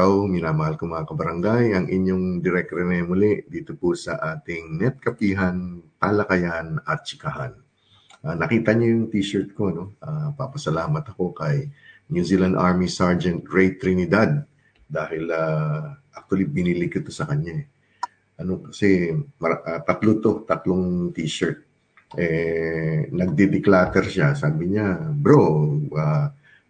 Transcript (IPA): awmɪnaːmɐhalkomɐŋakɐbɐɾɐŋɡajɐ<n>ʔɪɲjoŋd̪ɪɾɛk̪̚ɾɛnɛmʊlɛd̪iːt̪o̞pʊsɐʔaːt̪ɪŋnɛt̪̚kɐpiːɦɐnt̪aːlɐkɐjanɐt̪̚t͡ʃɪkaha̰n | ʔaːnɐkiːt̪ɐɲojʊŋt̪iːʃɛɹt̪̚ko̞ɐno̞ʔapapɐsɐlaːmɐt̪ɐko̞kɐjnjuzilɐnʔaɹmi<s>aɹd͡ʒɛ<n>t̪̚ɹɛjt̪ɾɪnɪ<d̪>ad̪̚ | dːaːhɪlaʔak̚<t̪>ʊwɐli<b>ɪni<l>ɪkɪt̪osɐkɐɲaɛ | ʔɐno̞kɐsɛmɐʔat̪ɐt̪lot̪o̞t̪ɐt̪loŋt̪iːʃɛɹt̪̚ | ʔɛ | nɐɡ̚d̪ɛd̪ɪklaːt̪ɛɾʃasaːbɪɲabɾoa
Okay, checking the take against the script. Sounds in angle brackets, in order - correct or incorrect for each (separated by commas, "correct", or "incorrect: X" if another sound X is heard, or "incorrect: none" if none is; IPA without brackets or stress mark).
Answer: incorrect: ŋ, correct, correct, correct, correct, correct, correct